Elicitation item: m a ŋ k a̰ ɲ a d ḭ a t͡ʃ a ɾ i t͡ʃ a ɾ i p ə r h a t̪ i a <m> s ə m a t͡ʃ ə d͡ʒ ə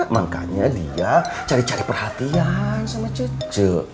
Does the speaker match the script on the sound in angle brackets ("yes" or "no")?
no